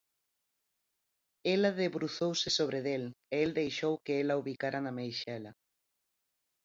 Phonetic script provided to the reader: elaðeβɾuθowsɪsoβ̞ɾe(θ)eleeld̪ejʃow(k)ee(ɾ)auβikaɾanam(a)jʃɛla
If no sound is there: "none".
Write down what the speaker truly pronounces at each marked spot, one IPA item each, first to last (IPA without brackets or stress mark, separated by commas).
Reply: ð, k, l, e